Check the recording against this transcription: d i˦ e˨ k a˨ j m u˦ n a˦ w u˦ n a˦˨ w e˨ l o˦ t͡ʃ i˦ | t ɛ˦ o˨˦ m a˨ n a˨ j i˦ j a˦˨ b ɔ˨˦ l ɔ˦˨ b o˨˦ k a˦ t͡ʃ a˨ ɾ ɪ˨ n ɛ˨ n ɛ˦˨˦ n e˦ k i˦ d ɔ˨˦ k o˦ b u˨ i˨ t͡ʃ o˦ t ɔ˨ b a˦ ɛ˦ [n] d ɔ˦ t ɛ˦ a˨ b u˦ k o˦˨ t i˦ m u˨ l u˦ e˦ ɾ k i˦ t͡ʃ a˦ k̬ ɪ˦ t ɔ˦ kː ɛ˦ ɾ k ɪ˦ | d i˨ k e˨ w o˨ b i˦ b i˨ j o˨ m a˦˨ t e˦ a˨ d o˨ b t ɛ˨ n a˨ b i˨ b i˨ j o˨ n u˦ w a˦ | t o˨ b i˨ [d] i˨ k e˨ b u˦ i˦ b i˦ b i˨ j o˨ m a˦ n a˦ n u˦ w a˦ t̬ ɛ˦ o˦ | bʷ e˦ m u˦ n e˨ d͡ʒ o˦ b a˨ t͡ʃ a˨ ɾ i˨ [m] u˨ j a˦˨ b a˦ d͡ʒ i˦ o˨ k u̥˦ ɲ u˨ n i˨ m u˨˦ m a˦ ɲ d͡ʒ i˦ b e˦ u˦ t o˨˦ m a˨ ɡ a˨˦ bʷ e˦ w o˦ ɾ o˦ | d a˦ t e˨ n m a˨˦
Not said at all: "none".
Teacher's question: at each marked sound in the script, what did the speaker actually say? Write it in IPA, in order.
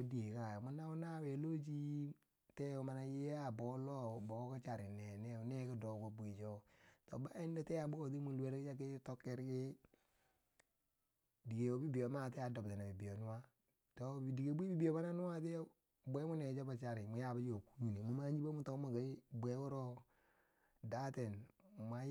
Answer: n, d, m

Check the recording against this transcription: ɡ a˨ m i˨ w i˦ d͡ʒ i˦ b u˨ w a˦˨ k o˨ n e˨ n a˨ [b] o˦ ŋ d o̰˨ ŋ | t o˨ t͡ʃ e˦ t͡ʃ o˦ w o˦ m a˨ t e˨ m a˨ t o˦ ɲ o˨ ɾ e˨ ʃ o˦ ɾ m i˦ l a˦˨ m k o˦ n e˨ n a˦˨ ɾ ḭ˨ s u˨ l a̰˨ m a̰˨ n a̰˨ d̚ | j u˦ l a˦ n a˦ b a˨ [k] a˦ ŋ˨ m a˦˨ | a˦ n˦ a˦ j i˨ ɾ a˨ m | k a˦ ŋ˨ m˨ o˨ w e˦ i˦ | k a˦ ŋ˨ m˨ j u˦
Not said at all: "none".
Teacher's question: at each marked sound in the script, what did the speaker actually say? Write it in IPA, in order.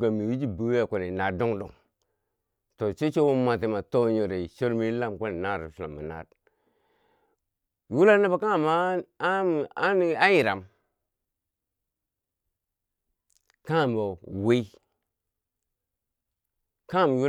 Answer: d, k

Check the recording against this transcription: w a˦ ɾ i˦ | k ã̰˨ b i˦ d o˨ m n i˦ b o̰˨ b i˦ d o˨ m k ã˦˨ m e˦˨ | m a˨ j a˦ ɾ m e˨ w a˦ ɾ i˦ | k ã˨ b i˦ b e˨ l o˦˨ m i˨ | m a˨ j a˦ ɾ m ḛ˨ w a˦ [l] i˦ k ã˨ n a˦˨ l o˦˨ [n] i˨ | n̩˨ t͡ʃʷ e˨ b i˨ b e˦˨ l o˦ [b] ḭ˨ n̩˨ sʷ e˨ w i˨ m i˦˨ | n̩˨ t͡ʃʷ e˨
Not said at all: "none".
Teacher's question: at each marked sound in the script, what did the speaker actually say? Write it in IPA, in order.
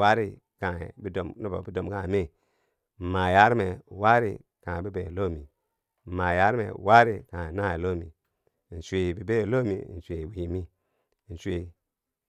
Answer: ɾ, m, m

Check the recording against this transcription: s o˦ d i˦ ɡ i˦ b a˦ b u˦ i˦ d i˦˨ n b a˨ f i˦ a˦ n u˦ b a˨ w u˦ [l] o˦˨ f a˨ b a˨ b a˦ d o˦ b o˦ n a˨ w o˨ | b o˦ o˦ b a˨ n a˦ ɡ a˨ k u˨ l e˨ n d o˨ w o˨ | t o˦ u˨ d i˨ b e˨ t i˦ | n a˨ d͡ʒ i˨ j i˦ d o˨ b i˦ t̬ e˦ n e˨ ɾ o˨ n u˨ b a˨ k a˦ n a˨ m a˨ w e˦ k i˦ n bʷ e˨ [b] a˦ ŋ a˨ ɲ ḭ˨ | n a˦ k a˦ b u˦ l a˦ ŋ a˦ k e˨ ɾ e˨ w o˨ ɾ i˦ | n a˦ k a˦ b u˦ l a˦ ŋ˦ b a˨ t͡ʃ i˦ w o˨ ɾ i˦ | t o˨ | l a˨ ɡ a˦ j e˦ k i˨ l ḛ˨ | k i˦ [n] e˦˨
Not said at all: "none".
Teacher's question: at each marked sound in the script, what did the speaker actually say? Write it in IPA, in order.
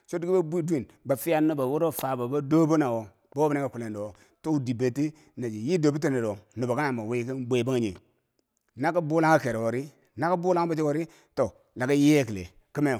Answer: ɾ, b, m

